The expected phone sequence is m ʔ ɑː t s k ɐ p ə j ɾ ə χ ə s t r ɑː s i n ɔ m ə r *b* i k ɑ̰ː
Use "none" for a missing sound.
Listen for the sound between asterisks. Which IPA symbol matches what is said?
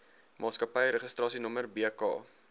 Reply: b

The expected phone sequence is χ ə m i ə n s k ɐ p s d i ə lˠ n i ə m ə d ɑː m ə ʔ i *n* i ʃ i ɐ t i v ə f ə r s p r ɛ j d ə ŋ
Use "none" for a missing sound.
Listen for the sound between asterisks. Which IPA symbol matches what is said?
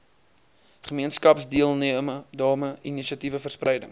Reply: n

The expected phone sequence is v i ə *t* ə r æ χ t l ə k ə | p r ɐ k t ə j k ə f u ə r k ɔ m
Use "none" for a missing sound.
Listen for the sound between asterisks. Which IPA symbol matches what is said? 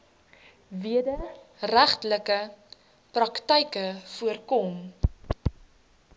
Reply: d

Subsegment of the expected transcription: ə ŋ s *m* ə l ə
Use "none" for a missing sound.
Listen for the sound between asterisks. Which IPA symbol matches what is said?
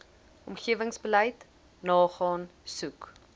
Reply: b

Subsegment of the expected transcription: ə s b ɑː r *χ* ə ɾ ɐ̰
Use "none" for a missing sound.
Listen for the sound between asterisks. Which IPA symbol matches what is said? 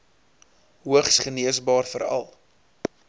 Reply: f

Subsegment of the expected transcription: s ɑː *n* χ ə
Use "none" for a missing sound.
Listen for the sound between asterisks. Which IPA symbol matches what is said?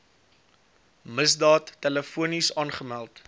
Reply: n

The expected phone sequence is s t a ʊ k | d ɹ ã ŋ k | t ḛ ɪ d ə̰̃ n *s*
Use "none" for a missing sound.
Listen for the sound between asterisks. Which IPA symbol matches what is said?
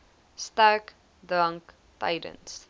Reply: s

